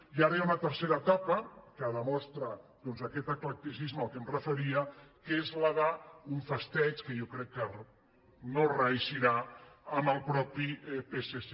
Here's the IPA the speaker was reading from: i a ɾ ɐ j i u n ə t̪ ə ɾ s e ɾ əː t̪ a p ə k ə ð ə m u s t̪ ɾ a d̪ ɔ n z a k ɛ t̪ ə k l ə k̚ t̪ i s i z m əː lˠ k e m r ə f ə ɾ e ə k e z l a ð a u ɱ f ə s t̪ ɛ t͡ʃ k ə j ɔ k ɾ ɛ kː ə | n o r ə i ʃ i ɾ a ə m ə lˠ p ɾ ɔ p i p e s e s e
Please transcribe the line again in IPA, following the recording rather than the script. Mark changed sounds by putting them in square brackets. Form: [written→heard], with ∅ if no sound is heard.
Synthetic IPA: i a ɾ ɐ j [i→a] u n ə t̪ ə ɾ s e ɾ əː t̪ a p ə k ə ð ə m [u→ɔ] s t̪ ɾ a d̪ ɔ n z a k ɛ t̪ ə k l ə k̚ t̪ i s i z m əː lˠ k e m r ə f ə ɾ [e→i] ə k e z l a ð a u ɱ f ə s t̪ ɛ t͡ʃ k ə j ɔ k ɾ ɛ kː ə | n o r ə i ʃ i ɾ a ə m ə lˠ p ɾ ɔ p i p e s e s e